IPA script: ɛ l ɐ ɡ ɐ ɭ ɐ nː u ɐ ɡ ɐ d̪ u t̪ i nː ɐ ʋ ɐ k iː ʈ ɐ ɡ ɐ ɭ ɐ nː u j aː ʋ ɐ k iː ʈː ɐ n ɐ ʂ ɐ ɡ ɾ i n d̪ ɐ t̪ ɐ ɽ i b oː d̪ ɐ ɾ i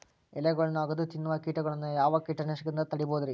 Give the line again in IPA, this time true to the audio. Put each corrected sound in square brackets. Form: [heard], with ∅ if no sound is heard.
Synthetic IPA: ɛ l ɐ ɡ ɐ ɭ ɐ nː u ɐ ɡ ɐ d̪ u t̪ i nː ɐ ʋ ɐ k iː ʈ ɐ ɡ ɐ ɭ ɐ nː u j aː ʋ ɐ k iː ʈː ɐ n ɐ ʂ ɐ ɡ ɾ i n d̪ ɐ t̪ ɐ ɽ i b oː d̪ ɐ ɾ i